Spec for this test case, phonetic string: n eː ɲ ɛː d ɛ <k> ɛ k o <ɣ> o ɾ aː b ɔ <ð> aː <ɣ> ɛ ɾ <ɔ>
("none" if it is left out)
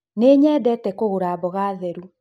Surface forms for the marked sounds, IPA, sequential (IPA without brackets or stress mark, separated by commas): t, ɣ, ɣ, ð, u